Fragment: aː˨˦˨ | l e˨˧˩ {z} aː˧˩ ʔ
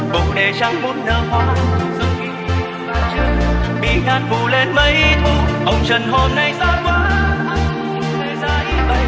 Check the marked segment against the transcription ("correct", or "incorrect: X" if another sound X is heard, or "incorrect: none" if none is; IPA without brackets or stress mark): correct